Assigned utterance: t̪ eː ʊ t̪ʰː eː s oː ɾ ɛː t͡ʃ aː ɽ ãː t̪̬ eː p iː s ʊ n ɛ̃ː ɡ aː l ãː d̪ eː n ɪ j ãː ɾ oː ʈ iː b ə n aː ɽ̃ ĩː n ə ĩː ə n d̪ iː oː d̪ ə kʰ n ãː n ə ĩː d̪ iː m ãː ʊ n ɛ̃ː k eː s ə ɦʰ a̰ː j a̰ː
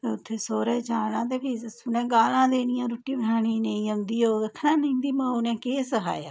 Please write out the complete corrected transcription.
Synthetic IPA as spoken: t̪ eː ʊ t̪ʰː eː s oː ɾ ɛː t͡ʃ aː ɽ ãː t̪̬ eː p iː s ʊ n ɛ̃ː ɡ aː l ãː d̪ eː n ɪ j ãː ɾ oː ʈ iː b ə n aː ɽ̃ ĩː n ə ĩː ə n d̪ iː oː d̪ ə kʰ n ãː n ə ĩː d̪ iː m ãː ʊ n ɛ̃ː k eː s ə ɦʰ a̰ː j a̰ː

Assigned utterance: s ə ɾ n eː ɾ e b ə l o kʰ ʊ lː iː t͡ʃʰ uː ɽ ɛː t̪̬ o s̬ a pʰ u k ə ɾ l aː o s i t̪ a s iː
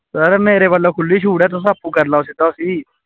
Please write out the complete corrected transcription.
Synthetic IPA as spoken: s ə ɾ m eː ɾ e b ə l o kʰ ʊ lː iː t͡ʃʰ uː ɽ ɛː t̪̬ o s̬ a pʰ u k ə ɾ l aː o s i t̪ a s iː

